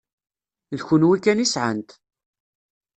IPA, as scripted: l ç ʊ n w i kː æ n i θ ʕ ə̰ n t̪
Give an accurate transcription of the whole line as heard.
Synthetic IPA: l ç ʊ n w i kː æ n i s ʕ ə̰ n t̪